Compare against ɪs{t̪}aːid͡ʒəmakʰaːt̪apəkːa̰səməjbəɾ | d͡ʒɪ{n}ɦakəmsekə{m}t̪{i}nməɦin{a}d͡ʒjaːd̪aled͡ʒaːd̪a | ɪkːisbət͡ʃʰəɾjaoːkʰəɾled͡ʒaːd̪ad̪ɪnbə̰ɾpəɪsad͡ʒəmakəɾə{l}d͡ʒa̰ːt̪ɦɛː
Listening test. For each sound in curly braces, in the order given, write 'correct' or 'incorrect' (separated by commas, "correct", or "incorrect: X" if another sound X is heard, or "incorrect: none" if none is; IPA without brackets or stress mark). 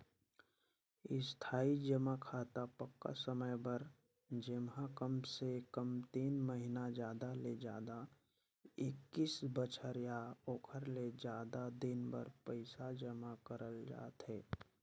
incorrect: t̪ʰ, incorrect: m, correct, incorrect: iː, correct, correct